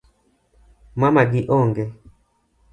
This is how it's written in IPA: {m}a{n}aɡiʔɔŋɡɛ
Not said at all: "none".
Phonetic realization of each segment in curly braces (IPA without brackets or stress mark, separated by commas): m, m